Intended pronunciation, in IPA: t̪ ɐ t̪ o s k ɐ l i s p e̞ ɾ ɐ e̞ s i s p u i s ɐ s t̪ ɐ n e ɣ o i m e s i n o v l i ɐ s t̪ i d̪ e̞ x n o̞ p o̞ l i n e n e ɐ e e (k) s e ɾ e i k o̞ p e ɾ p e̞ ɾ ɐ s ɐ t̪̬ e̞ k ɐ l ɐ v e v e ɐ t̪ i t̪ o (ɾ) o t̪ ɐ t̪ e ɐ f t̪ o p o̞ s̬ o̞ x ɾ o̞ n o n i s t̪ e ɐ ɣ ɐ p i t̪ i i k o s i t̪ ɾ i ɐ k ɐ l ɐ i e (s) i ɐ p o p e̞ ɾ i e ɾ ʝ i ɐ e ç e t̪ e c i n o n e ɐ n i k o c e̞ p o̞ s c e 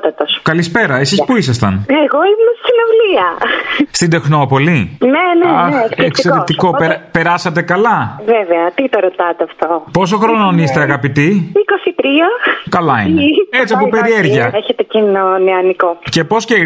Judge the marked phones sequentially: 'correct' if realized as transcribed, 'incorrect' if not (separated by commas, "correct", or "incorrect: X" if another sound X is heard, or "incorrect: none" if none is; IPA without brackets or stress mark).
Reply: correct, correct, incorrect: t͡s